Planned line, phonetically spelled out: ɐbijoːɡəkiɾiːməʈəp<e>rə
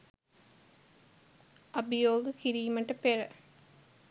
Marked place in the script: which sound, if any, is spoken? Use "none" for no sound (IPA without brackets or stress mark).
e